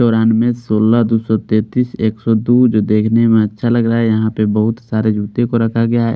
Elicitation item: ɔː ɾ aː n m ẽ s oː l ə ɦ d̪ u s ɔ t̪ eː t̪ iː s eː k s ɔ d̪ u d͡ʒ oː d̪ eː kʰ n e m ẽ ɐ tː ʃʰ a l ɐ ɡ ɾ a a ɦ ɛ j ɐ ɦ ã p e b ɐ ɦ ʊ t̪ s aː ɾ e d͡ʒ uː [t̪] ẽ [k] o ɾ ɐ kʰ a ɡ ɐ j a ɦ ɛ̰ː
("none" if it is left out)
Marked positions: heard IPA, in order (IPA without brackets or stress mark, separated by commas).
t̪, k